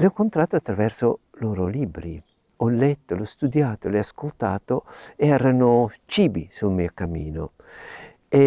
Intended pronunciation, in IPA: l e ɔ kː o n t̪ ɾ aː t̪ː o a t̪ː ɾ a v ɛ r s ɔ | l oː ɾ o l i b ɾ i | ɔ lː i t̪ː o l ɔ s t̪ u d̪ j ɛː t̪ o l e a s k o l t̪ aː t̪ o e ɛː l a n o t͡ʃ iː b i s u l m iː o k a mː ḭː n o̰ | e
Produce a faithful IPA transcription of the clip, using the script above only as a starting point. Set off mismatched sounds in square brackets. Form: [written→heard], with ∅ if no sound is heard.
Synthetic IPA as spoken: l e ɔ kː o n t̪ ɾ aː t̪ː o a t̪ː ɾ a v ɛ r s [ɔ→o] | l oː ɾ o l i b ɾ i | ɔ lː [i→ɛ] t̪ː o l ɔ s t̪ u d̪ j [ɛː→aː] t̪ o l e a s k o l t̪ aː t̪ o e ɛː [l→ɾ] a n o t͡ʃ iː b i s u l m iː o k a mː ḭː n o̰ | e